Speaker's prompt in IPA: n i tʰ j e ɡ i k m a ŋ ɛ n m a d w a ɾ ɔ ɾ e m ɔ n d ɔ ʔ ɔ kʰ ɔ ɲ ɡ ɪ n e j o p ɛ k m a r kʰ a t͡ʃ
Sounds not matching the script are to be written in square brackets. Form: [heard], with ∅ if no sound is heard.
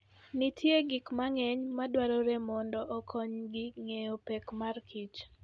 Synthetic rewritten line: n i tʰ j e ɡ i k m a ŋ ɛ [ɲ] m a d w a ɾ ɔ ɾ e m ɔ n d ɔ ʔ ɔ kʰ ɔ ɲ ɡ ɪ [ŋ] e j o p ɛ k m a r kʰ [i] t͡ʃ